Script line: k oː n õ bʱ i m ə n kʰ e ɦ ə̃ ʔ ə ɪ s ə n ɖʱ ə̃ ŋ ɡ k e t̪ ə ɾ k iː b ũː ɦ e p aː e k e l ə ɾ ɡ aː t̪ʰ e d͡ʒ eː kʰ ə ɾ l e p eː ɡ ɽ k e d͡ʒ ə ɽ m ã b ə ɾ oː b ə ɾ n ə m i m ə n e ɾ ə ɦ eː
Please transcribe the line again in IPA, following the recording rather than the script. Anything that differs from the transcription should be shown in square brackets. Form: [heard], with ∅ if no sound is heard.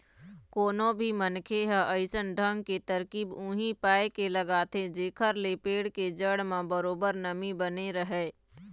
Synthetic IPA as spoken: k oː n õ bʱ i m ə n kʰ e ɦ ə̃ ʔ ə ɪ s ə n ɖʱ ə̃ ŋ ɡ k e t̪ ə ɾ k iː b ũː ɦ [i] p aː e k e l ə [∅] ɡ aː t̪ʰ e d͡ʒ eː kʰ ə ɾ l e p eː [∅] ɽ k e d͡ʒ ə ɽ m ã b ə ɾ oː b ə ɾ n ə m i [b] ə n e ɾ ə ɦ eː